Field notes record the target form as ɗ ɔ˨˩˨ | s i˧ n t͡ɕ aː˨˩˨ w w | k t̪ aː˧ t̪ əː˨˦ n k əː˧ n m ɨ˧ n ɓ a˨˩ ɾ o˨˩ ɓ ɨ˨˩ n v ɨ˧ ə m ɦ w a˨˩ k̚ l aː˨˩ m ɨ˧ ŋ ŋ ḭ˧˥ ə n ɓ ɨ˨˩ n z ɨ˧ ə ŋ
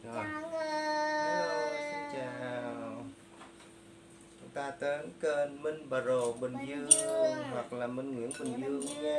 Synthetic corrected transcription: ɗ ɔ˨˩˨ | s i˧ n t͡ɕ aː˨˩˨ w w | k t̪ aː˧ t̪ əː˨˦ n k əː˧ n m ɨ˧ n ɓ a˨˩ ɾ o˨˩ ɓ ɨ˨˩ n z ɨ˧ ə ŋ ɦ w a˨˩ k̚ l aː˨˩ m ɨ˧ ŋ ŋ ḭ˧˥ ə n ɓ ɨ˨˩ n z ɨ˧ ə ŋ